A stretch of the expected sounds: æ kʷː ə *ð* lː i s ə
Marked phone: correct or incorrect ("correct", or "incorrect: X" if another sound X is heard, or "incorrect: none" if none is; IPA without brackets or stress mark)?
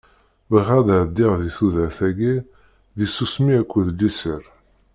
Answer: correct